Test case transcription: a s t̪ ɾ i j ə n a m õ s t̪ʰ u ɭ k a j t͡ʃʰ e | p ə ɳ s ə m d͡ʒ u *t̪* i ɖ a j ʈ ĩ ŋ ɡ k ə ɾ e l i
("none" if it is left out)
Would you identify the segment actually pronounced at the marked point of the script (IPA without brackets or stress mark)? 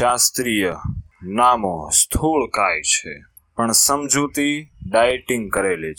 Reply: t̪